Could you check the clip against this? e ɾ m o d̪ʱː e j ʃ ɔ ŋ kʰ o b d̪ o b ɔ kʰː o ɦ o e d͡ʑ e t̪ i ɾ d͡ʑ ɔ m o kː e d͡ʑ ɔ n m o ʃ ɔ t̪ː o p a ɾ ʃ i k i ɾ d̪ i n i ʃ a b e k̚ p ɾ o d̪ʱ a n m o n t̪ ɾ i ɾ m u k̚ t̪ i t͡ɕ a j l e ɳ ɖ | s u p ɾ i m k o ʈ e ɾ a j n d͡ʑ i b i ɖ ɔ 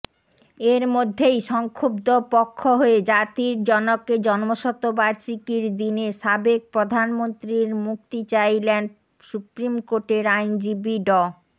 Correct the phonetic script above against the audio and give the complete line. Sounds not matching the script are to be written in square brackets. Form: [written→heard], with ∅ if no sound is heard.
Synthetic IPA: e ɾ m o d̪ʱː e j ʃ ɔ ŋ kʰ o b d̪ o [b→p] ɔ kʰː o ɦ o e d͡ʑ [e→a] t̪ i ɾ d͡ʑ ɔ [m→n] o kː e d͡ʑ ɔ n m o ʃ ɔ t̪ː o [p→b] a ɾ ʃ i k i ɾ d̪ i n [i→e] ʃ a b e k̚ p ɾ o d̪ʱ a n m o n t̪ ɾ i ɾ m u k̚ t̪ i t͡ɕ a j l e [ɳ→n] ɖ | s u p ɾ i m k o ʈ e ɾ a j n d͡ʑ i b i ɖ ɔ